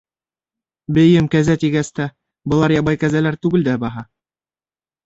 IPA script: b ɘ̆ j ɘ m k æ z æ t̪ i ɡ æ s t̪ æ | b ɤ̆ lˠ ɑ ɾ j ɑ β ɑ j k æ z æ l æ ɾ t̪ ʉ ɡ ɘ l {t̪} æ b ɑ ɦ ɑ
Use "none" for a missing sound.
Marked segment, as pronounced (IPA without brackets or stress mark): d̪